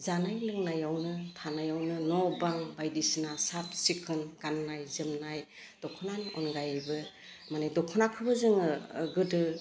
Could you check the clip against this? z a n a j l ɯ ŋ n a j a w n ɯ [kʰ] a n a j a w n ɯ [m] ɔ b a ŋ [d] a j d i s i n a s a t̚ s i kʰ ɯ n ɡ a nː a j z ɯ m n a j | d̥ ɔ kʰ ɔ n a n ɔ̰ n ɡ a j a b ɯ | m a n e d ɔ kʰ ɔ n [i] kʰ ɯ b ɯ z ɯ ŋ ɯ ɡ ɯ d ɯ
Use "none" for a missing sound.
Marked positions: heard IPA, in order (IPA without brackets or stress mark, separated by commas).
tʰ, n, b, a